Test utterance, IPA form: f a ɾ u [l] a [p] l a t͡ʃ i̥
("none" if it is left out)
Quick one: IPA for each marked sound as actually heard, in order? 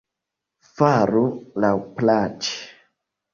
l, p

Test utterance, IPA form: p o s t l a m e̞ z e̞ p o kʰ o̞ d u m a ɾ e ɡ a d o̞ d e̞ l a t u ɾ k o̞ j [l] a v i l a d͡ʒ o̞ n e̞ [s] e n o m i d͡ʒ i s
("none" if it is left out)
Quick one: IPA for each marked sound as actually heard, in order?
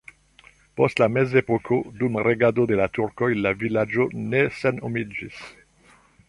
l, s

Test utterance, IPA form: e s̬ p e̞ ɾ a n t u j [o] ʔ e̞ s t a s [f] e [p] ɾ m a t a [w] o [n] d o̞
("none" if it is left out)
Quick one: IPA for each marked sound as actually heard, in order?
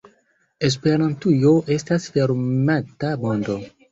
o, f, none, b, n

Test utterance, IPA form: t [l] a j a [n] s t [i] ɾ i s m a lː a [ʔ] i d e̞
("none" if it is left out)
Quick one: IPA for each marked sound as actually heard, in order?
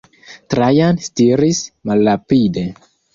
ɾ, n, i, p

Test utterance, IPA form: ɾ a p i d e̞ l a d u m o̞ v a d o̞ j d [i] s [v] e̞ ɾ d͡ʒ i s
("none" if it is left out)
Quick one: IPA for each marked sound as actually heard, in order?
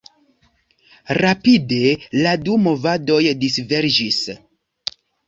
i, v

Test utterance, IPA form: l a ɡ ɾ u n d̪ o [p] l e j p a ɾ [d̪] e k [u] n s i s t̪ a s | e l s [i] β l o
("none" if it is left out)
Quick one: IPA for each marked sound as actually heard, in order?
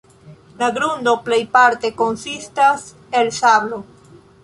p, t̪, o, a

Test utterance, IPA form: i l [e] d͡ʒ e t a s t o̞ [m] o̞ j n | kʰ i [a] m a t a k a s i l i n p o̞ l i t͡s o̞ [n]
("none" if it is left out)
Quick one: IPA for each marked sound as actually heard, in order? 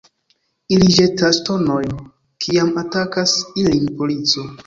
i, n, a, none

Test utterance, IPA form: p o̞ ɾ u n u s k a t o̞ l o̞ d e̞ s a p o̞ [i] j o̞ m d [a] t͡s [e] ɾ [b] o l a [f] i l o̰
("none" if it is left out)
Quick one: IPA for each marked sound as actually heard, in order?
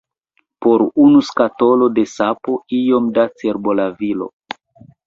i, a, e, b, v

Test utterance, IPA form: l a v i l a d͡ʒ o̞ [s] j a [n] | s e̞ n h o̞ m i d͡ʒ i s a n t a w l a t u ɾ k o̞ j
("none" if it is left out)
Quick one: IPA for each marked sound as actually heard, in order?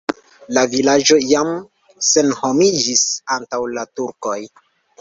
none, m

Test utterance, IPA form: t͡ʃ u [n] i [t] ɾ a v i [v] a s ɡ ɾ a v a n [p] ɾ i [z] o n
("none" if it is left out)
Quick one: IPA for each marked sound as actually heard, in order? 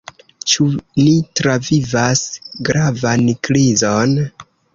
n, t, v, k, z

